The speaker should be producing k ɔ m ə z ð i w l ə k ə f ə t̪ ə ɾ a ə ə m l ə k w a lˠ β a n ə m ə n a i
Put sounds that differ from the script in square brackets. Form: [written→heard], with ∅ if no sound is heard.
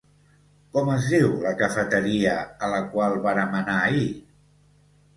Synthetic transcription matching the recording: k ɔ m ə z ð i w l ə k ə f ə t̪ ə ɾ [a→i] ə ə [m→∅] l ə k w a lˠ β a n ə m ə n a i